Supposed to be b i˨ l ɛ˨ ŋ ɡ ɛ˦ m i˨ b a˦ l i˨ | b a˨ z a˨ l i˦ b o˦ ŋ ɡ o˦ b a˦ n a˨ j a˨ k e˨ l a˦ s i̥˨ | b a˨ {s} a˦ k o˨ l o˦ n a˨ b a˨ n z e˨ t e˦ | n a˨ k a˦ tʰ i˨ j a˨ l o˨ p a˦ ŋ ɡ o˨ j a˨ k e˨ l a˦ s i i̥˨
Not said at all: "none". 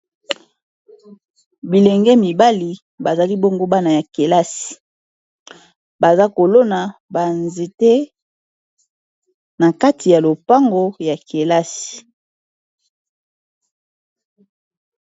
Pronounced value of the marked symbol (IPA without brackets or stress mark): z